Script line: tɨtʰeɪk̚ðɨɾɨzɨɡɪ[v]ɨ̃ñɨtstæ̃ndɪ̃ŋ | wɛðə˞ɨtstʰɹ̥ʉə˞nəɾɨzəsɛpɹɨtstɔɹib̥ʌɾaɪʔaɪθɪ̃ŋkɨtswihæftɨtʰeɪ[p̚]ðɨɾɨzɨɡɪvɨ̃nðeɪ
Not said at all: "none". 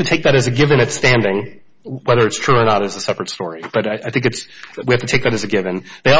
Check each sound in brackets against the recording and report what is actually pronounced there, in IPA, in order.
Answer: v, k̚

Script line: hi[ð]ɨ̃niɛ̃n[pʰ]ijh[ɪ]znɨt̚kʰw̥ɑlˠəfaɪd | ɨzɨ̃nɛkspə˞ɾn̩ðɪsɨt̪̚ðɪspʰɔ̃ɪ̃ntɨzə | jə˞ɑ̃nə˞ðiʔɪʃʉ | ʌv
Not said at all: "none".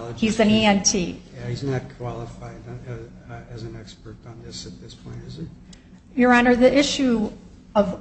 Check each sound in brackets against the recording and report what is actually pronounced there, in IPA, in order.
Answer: z, tʰ, i

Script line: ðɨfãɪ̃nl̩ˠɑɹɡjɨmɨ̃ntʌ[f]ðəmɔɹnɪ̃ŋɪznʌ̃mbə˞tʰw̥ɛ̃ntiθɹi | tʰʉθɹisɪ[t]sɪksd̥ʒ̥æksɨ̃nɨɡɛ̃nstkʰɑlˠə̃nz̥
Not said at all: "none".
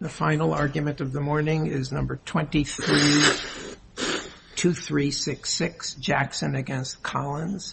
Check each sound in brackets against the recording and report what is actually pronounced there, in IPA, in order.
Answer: v, k

